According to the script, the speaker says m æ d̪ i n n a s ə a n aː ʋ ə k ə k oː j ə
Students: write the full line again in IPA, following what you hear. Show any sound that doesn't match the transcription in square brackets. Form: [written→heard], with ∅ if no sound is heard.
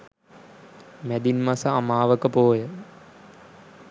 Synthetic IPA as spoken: m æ d̪ i n [n→m] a s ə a [n→m] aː ʋ ə k ə [k→p] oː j ə